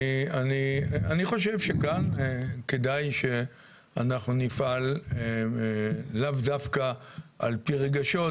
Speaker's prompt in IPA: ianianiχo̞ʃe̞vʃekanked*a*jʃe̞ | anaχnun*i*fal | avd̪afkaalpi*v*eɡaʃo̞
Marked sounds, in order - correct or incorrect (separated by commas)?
correct, correct, incorrect